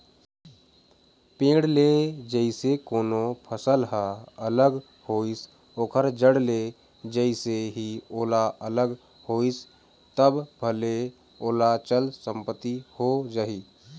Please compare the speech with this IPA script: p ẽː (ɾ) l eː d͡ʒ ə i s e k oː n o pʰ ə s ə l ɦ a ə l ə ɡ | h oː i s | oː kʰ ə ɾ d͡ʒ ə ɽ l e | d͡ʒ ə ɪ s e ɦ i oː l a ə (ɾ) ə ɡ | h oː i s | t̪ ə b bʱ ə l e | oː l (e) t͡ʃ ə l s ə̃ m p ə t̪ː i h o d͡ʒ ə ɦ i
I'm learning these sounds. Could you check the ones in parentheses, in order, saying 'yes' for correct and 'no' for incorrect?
no, no, no

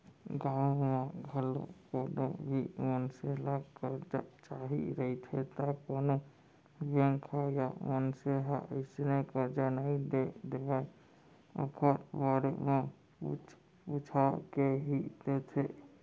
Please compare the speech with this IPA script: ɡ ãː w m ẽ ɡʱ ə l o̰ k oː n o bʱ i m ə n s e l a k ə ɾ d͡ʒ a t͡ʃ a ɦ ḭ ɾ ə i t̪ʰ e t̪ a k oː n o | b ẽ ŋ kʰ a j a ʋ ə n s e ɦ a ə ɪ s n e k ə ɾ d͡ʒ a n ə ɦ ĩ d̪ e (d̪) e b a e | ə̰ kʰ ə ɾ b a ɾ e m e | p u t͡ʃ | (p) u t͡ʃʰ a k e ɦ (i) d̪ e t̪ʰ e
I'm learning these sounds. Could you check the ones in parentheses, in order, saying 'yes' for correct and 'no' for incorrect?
yes, yes, yes

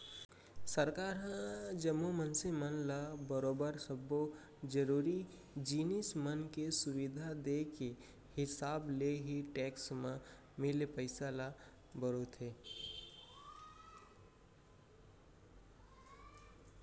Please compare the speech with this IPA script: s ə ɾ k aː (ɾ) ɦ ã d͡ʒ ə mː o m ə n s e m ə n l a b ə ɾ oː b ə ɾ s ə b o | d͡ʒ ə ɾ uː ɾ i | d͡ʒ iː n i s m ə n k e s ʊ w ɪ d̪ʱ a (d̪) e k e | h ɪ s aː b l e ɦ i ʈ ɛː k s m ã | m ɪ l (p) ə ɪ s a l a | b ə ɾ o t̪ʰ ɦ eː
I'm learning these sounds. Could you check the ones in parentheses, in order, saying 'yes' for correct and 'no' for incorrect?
yes, yes, yes

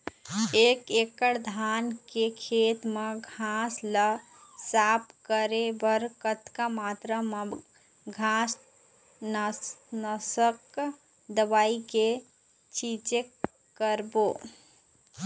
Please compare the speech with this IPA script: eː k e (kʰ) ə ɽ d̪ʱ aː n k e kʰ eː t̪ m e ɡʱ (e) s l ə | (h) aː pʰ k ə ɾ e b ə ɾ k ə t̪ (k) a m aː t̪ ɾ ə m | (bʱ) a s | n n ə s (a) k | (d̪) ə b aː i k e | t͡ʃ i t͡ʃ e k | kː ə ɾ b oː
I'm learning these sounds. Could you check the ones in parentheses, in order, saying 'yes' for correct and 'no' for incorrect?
no, no, no, yes, no, no, yes

